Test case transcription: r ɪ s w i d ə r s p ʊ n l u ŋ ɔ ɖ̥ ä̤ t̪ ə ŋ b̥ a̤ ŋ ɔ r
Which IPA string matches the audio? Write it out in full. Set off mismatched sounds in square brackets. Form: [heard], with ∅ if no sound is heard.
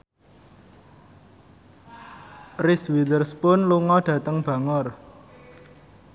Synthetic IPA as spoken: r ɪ s w i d ə r s p ʊ n l u ŋ ɔ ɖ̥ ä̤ t̪ ə ŋ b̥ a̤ ŋ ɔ r